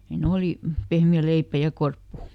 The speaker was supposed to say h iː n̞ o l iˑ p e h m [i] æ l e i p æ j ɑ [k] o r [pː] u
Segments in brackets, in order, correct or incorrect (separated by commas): correct, correct, correct